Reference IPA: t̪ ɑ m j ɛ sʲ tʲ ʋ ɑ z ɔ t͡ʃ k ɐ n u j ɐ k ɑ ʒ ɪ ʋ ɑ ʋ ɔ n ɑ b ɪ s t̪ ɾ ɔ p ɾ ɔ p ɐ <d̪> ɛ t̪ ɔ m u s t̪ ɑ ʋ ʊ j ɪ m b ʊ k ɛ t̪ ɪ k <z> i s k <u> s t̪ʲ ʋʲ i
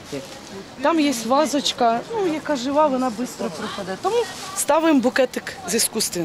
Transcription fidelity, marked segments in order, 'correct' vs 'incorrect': correct, correct, correct

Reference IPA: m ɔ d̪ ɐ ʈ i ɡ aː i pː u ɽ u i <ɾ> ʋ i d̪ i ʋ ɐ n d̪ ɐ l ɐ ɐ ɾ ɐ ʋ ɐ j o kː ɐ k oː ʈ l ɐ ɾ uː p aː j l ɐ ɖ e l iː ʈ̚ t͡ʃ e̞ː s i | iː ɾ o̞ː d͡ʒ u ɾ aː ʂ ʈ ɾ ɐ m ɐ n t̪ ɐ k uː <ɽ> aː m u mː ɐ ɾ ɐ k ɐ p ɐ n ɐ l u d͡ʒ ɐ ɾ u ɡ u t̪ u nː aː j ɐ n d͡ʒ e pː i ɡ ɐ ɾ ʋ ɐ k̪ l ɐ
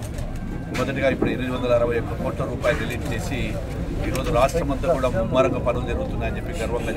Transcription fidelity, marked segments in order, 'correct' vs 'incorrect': correct, correct

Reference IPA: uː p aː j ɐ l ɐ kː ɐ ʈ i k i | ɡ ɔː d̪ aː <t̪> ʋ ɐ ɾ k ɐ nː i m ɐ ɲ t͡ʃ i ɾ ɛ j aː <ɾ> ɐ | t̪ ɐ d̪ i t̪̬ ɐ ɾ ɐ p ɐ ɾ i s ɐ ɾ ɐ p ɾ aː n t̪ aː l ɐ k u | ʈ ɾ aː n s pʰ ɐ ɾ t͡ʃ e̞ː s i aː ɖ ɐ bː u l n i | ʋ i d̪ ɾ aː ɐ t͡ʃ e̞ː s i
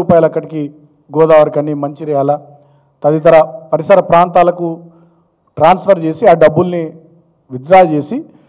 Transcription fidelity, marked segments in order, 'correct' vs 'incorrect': incorrect: none, incorrect: l

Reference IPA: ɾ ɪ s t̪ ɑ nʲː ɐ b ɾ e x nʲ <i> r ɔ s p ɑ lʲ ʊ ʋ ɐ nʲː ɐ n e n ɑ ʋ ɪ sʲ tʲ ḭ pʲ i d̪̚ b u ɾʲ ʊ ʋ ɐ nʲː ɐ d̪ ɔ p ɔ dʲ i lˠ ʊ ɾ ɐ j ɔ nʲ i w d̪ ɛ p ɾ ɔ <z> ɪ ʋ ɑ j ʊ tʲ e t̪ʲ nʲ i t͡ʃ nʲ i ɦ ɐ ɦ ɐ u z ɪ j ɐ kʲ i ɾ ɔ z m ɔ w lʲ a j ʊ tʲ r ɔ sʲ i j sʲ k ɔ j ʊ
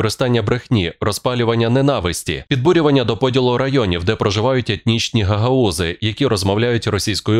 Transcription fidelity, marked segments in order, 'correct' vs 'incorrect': correct, incorrect: ʒ

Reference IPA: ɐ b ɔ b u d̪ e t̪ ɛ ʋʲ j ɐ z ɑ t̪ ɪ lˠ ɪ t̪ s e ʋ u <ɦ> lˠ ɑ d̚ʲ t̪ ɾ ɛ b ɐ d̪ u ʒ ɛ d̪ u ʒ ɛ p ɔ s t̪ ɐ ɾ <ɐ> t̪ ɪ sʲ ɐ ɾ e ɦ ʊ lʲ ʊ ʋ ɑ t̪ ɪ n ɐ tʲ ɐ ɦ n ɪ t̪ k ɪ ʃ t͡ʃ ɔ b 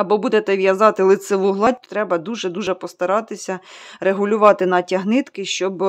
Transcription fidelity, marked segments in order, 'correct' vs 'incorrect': correct, incorrect: ɑ

